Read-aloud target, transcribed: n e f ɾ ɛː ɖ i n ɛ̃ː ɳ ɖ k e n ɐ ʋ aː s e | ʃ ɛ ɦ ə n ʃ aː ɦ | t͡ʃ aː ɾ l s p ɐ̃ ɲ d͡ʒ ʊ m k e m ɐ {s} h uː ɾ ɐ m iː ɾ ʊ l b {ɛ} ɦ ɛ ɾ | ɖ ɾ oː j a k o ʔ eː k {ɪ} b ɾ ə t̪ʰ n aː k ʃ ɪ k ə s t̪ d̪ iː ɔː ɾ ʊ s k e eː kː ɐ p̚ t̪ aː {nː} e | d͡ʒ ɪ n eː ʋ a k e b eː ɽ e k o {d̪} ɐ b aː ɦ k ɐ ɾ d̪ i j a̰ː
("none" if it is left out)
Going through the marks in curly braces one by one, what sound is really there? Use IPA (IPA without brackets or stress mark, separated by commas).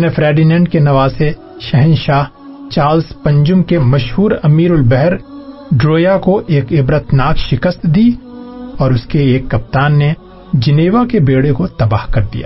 ʃ, ɛ, ɪ, nː, t̪